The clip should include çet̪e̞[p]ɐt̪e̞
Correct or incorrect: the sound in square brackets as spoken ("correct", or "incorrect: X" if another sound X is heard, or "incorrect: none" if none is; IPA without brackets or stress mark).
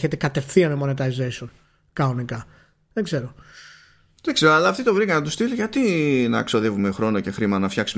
incorrect: k